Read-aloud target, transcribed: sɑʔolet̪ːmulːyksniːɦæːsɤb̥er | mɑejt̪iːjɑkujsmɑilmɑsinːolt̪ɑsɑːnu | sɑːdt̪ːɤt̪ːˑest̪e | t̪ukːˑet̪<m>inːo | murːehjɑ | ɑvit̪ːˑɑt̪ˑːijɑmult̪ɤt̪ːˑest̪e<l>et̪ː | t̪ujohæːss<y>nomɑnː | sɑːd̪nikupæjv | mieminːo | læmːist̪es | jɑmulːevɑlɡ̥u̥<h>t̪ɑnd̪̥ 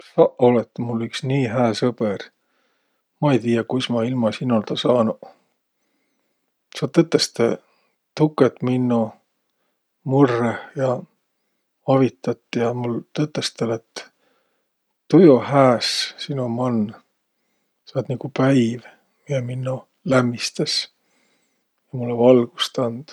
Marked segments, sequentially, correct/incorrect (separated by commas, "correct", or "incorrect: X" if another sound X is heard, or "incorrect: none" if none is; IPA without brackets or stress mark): correct, correct, incorrect: i, incorrect: s